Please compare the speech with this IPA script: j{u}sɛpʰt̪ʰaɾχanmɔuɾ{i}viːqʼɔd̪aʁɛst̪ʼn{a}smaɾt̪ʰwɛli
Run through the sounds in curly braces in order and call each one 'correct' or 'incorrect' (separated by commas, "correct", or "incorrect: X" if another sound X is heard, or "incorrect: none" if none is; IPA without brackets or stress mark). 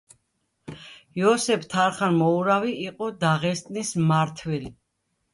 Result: incorrect: ɔ, incorrect: a, incorrect: i